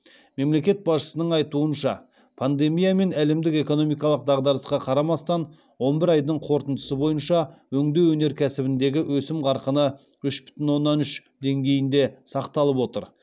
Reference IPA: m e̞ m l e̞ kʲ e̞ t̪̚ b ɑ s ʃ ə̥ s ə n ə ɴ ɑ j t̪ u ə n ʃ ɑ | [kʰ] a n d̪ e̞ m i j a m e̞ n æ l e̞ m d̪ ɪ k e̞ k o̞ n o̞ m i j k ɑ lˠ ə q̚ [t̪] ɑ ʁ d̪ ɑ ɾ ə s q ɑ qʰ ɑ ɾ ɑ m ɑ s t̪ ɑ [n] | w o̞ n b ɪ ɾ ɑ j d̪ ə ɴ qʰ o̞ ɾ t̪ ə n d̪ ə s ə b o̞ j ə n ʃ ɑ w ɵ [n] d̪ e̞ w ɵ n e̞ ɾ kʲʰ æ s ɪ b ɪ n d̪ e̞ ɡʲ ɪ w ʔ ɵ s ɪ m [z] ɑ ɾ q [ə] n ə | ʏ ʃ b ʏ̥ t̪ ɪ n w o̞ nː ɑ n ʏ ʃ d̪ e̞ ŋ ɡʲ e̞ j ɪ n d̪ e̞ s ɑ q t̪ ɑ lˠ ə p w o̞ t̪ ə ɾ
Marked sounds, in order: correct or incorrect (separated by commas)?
incorrect, incorrect, correct, incorrect, incorrect, correct